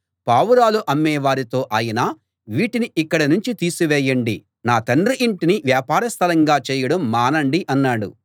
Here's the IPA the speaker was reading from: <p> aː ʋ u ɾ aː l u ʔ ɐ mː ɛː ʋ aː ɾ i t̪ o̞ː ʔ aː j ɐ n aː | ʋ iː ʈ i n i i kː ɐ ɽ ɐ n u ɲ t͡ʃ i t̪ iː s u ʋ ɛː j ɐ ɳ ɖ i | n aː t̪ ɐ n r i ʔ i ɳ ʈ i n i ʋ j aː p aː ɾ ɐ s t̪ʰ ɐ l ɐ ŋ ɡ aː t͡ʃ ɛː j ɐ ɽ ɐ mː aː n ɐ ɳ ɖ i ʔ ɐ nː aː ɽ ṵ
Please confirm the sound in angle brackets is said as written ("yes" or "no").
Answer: yes